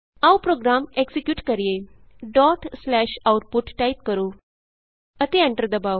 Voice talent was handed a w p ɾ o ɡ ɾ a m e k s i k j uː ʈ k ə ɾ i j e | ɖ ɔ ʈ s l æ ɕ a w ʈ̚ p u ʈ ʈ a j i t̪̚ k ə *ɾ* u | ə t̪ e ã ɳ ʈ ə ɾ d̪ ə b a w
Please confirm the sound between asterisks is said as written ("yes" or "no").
yes